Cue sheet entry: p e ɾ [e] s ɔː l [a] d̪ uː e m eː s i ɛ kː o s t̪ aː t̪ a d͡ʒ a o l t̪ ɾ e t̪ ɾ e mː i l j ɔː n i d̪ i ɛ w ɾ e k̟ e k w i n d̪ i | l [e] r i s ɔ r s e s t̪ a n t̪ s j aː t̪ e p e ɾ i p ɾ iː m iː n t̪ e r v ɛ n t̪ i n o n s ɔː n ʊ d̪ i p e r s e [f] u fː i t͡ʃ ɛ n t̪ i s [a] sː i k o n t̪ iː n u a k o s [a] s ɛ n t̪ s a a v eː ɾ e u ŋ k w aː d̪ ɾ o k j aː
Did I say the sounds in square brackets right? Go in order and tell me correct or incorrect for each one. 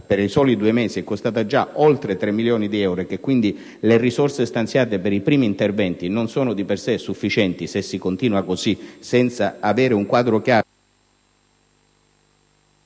incorrect: i, incorrect: i, correct, incorrect: s, incorrect: e, incorrect: i

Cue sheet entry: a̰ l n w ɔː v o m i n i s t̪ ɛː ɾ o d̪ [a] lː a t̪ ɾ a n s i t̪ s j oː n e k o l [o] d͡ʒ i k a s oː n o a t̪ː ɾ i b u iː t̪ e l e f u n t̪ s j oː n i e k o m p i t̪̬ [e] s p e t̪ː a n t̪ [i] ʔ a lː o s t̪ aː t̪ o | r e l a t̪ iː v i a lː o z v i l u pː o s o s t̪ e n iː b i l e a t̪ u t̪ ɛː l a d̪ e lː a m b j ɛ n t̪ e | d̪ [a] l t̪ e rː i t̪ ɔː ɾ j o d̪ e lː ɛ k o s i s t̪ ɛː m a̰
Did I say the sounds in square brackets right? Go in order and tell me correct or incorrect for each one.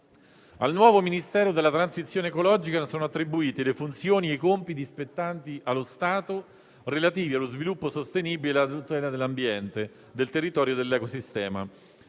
incorrect: e, incorrect: ɔ, incorrect: i, correct, incorrect: e

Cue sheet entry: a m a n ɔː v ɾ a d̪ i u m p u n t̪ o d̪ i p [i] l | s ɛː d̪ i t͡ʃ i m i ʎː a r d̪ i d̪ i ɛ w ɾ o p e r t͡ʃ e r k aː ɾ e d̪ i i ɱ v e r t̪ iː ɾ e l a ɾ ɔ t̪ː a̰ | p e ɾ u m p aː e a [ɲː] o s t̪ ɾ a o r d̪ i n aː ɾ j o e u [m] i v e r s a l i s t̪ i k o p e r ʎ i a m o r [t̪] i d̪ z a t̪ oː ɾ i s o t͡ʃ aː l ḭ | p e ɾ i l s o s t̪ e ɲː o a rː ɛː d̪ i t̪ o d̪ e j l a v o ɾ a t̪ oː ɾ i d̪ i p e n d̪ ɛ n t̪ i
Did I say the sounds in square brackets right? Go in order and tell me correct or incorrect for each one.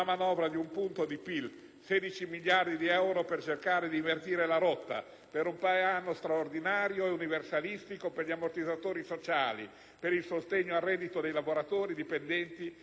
correct, incorrect: nː, incorrect: n, correct

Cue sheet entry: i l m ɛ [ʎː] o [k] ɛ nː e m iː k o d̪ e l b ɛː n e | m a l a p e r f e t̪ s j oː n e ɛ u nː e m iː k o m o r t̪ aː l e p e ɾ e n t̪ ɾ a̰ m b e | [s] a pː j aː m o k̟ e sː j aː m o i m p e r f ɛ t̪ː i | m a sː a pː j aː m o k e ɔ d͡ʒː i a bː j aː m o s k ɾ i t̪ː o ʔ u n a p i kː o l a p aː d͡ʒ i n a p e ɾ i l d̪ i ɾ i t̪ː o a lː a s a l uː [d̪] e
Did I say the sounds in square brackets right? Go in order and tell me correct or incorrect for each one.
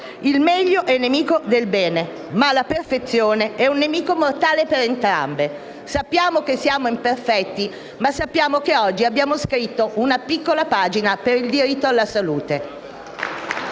correct, incorrect: ʔ, correct, incorrect: t̪

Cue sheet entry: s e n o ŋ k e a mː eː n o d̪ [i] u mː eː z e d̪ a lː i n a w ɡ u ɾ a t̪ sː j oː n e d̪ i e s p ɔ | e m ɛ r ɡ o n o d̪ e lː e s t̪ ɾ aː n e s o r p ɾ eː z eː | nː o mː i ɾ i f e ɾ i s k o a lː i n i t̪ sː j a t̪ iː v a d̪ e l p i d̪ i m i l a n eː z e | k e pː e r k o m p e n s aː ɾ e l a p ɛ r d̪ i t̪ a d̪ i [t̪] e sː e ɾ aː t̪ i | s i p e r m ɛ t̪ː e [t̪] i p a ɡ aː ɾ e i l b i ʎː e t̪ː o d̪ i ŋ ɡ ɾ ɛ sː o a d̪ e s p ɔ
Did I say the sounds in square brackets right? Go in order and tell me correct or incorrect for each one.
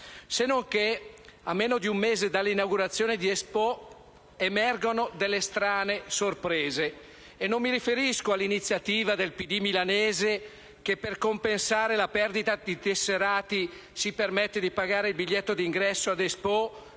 correct, correct, incorrect: d̪

